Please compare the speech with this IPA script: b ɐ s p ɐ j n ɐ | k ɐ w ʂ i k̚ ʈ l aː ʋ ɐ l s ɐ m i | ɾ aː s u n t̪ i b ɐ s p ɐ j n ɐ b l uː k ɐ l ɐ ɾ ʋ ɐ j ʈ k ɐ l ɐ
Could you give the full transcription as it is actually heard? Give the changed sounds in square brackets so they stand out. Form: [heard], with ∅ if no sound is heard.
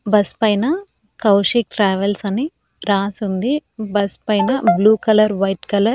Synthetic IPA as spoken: b ɐ s p ɐ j n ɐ | k ɐ w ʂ i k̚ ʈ [ɾ] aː ʋ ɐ l s ɐ [n] i | ɾ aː s u n [d̪] i b ɐ s p ɐ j n ɐ b l uː k ɐ l ɐ ɾ ʋ ɐ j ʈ k ɐ l ɐ